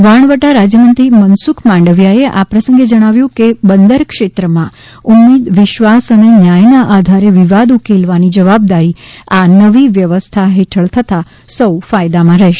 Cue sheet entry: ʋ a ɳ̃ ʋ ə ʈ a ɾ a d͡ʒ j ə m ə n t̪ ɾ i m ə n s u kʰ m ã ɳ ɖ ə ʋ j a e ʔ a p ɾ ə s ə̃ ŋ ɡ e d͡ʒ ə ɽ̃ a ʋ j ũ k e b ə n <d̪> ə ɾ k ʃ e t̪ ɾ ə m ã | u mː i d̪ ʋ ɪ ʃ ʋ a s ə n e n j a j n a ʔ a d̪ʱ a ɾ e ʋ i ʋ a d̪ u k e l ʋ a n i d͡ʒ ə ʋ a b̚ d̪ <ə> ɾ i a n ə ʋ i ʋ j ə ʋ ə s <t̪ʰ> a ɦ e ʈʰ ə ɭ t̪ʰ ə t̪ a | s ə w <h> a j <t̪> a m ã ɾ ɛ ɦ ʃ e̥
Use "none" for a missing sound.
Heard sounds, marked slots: d̪, a, t̪ʰ, f, d̪

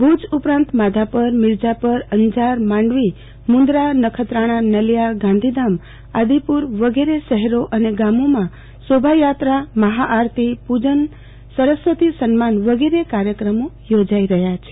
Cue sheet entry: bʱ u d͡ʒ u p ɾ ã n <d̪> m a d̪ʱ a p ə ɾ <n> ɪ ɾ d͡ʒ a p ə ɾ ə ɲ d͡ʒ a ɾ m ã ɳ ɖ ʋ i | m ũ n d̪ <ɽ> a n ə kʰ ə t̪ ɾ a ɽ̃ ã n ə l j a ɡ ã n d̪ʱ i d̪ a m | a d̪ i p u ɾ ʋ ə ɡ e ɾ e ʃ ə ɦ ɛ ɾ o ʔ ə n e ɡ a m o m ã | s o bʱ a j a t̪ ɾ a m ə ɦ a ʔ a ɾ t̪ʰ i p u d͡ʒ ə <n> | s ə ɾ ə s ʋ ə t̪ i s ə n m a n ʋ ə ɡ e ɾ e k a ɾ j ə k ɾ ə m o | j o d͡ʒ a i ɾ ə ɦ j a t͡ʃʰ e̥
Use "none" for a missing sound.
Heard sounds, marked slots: t̪, m, ɾ, n

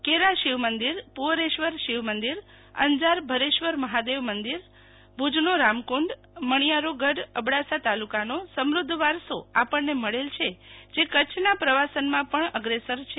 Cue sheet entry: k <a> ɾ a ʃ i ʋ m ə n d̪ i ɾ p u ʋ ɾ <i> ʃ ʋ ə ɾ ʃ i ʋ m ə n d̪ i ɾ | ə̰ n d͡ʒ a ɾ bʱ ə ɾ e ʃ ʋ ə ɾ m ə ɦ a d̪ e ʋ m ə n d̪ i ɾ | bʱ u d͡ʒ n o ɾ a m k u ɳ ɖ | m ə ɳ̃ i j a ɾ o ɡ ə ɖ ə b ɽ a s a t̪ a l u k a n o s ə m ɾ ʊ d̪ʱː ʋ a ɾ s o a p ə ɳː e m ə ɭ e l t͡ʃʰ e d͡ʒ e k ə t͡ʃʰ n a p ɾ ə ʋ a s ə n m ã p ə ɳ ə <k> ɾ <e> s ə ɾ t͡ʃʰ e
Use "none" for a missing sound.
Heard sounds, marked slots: e, e, ɡ, e

